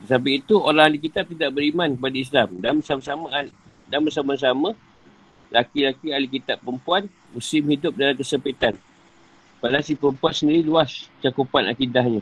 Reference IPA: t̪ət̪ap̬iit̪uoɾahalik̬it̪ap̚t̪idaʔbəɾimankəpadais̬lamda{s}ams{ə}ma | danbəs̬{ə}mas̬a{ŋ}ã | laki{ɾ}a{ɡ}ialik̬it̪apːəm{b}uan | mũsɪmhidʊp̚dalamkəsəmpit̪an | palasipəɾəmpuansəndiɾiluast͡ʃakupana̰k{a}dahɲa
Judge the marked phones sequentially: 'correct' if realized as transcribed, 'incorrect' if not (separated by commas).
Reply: correct, incorrect, incorrect, incorrect, incorrect, incorrect, incorrect, incorrect